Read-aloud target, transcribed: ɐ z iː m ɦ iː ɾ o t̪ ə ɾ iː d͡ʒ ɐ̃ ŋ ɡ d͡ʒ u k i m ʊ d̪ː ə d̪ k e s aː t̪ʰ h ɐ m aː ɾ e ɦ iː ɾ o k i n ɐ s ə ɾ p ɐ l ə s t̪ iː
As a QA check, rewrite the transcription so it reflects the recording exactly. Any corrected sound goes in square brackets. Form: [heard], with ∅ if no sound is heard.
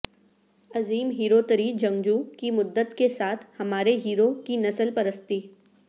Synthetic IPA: ɐ z iː m ɦ iː ɾ o t̪ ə ɾ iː d͡ʒ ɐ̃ ŋ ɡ d͡ʒ u k i m ʊ d̪ː ə [t̪] k e s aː t̪ʰ h ɐ m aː ɾ e ɦ iː ɾ o k i n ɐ s ə [l] p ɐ [ɾ] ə s t̪ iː